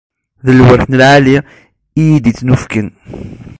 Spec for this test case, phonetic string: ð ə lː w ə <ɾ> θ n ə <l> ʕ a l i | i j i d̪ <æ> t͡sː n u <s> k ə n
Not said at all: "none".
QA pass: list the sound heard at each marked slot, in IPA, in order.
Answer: ɾ, l, i, f

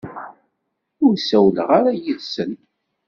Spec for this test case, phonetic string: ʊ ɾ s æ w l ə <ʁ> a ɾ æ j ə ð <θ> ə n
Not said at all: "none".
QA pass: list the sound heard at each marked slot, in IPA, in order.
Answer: ʁ, s

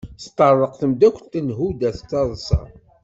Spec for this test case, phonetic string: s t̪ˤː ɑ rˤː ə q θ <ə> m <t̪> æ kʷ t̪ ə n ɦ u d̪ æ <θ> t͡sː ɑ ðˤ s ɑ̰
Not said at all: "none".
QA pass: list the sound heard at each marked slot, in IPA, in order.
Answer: ə, d̪, θ

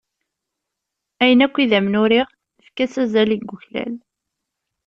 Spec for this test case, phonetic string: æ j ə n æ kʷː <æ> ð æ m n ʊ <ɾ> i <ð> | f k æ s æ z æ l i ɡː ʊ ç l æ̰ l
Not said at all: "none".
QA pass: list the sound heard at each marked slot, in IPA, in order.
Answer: i, ɾ, ʁ

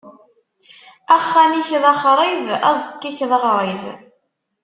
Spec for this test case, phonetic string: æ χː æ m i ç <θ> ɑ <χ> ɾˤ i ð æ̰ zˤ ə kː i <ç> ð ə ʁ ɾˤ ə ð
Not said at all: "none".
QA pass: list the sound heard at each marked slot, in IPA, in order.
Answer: ð, χ, ç

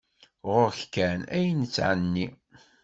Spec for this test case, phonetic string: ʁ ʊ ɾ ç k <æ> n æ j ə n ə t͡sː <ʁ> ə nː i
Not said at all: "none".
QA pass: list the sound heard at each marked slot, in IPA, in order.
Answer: æ, ʕ

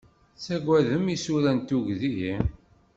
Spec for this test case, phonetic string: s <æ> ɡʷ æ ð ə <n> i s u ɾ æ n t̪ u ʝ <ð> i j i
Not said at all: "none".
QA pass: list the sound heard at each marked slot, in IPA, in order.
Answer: æ, m, ð

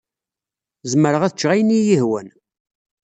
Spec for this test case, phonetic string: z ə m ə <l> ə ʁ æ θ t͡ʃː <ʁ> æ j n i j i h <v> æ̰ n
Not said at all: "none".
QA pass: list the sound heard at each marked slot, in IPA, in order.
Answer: ɾ, ʁ, w

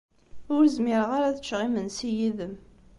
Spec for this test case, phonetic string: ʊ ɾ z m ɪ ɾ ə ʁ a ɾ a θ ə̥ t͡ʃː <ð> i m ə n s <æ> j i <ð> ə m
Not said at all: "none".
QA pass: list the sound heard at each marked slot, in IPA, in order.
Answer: ʁ, i, ð

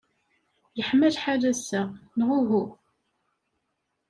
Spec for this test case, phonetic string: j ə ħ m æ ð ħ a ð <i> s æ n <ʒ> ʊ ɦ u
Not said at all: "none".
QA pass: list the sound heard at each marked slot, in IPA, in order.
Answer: æ, ʁ

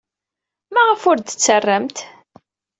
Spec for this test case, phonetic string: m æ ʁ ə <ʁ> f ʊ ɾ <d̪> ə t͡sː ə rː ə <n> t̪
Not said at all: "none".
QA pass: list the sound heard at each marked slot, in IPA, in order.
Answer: none, d̪, m

